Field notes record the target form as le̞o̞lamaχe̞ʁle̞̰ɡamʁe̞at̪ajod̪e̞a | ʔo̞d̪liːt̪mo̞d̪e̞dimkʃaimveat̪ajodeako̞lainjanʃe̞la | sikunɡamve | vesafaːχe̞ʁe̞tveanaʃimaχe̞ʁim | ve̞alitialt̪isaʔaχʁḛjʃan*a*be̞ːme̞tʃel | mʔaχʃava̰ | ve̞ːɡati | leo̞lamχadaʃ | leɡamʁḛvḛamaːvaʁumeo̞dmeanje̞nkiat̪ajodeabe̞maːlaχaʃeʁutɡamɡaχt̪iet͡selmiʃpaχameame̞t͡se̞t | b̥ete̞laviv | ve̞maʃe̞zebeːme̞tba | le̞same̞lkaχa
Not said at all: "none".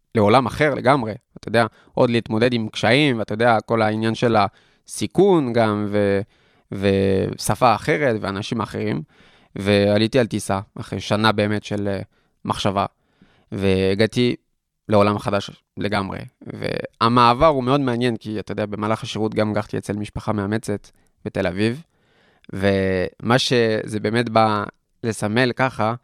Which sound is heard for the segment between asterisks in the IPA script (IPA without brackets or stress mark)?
a